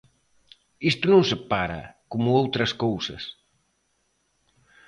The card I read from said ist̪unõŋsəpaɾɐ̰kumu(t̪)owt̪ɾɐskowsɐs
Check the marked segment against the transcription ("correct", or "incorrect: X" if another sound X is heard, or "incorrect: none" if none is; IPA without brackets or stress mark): incorrect: none